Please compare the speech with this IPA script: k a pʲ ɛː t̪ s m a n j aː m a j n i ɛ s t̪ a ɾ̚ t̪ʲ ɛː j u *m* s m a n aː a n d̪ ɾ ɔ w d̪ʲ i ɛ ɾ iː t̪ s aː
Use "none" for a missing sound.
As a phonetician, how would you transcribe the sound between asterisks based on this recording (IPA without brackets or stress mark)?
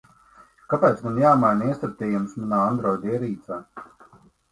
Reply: m